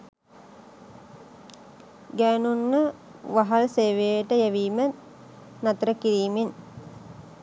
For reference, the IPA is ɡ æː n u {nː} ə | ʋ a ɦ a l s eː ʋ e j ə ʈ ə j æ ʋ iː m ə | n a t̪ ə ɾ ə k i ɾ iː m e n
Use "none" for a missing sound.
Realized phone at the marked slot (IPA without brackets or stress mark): nː